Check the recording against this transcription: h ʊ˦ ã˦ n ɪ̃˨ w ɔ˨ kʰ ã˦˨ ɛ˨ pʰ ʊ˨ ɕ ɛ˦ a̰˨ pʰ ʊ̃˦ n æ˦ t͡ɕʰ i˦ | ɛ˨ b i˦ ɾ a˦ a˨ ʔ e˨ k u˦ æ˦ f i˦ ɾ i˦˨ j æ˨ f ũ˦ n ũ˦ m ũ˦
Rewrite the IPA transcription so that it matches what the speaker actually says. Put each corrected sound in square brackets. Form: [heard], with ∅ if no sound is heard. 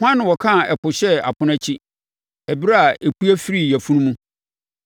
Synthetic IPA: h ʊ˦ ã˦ n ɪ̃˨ w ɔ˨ kʰ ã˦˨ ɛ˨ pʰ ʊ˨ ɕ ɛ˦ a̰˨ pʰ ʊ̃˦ n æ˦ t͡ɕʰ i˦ | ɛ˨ b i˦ ɾ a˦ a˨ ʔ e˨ k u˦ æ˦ f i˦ ɾ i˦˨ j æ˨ f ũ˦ n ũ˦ m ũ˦